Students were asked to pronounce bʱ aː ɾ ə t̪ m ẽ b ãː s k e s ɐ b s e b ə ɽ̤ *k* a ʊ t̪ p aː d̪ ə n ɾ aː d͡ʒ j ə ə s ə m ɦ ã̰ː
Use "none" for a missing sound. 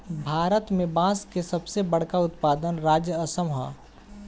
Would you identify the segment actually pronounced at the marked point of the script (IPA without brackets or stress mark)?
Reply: k